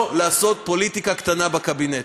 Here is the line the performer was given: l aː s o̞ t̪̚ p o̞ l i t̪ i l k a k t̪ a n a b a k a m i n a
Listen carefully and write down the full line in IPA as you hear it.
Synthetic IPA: l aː s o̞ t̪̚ p o̞ l i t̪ i k a k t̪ a n a b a k a b i n e